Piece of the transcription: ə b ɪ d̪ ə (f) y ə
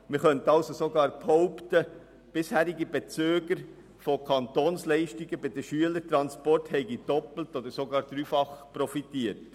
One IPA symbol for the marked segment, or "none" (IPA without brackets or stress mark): ʃ